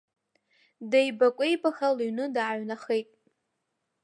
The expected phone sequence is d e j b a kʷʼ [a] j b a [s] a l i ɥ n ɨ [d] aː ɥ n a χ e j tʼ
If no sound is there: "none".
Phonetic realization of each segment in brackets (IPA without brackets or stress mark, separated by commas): e, x, d